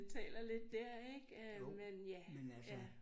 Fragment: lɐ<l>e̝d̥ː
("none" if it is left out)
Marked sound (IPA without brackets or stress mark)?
l